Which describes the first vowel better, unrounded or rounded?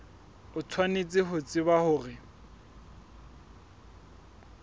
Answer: rounded